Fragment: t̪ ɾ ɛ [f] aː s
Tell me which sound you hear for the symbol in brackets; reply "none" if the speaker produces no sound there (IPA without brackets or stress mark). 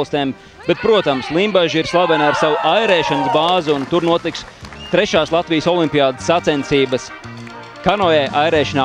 ʃ